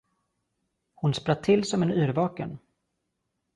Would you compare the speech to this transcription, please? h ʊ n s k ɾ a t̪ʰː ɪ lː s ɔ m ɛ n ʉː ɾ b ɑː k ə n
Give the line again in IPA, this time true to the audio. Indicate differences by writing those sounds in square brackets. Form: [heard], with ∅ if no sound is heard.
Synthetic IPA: h ʊ n s [p] ɾ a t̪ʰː ɪ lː s ɔ m ɛ n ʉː ɾ [v] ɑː k ə n